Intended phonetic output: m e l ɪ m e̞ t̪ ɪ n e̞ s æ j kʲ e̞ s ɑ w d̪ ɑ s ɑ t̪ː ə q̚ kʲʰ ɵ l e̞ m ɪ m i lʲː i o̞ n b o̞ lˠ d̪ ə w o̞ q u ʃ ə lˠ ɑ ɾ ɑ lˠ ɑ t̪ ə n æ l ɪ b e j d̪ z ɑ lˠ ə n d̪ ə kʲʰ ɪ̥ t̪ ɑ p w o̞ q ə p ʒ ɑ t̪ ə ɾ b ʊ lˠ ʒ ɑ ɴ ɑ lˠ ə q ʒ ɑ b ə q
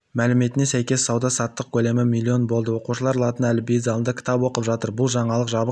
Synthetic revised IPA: m æ l ɪ m e̞ t̪ ɪ n e̞ s æ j kʲ e̞ s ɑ w d̪ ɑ s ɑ t̪ː ə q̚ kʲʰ ɵ l e̞ m ɪ m i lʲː i o̞ n b o̞ lˠ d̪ ə w o̞ q u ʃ ə lˠ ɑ ɾ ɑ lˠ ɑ t̪ ə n æ l ɪ b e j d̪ z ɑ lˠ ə n d̪ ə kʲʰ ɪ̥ t̪ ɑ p w o̞ q ə p ʒ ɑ t̪ ə ɾ b ʊ lˠ ʒ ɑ ɴ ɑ lˠ ə q ʒ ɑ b ə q